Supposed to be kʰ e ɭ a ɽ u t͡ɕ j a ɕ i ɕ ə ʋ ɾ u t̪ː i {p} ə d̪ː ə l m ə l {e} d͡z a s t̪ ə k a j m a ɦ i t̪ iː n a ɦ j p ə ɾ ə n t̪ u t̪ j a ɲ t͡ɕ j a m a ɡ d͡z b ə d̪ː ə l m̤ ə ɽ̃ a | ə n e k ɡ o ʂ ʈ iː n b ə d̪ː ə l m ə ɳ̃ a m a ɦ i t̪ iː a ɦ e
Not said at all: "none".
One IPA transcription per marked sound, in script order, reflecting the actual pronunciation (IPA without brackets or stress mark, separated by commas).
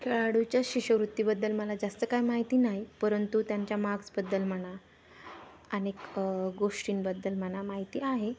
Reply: b, a